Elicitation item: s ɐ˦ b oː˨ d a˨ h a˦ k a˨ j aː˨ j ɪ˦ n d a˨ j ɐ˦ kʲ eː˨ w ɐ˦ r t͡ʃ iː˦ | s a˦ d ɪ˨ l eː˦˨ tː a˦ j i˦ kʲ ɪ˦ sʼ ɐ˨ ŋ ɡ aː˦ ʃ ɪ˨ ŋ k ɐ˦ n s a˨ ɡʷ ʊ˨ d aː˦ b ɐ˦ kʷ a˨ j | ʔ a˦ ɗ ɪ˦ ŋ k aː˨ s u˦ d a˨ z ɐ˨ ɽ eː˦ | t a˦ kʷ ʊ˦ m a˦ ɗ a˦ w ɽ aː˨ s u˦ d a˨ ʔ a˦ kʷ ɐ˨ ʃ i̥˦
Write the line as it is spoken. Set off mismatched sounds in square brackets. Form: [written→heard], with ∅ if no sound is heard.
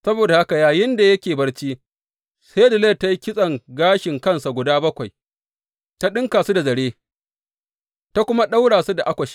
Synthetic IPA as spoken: s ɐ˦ b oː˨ d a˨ h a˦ k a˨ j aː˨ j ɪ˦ n d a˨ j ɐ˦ kʲ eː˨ [w→b] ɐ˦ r t͡ʃ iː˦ | s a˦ d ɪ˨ l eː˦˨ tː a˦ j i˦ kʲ ɪ˦ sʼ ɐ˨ ŋ ɡ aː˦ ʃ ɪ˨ ŋ k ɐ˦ n s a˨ ɡʷ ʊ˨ d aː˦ b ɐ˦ kʷ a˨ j | [ʔ→t] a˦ ɗ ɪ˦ ŋ k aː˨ s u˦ d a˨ z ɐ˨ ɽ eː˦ | t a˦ kʷ ʊ˦ m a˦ ɗ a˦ w ɽ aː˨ s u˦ d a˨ ʔ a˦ kʷ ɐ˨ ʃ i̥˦